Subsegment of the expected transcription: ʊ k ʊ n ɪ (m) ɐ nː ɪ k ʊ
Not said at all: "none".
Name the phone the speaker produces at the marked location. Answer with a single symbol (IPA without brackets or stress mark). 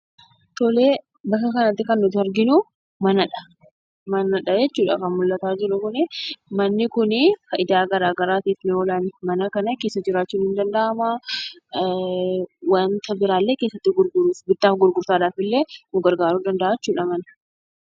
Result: m